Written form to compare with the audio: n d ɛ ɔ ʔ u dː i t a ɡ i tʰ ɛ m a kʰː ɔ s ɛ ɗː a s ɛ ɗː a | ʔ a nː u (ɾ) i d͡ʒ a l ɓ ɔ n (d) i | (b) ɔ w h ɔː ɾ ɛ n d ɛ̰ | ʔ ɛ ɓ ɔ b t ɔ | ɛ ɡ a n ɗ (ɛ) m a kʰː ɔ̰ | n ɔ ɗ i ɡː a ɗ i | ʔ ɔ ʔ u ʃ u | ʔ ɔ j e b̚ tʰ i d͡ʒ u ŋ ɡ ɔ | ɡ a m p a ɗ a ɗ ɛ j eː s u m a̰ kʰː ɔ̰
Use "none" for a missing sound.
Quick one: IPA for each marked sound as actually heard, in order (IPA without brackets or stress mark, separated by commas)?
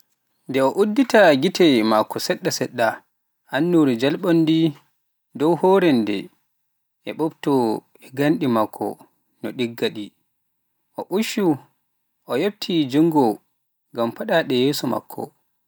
ɾ, d, d, i